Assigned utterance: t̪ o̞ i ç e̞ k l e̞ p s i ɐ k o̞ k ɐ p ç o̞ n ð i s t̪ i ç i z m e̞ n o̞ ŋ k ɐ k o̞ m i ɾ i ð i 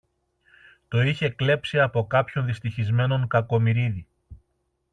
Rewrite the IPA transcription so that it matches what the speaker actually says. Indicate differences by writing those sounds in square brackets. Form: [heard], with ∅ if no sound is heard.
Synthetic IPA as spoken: t̪ o̞ i ç e̞ k l e̞ p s i ɐ [p] o̞ k ɐ p ç o̞ n ð i s t̪ i ç i z m e̞ n o̞ ŋ k ɐ k o̞ m i ɾ i ð i